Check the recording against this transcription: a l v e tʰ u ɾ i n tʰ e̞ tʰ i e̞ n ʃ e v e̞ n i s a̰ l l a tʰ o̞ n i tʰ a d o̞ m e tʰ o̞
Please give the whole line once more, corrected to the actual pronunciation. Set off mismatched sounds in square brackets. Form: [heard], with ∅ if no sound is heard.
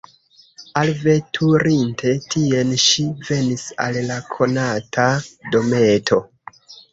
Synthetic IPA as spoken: a l v e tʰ u ɾ i n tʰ e̞ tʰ i e̞ n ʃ [i] v e̞ n i s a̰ l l a [kʰ] o̞ n [a] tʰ a d o̞ m e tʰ o̞